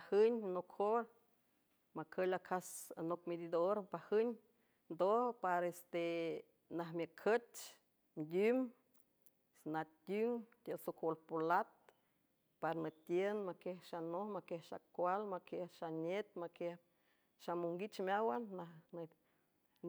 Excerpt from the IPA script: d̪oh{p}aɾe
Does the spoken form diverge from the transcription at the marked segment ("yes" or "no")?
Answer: no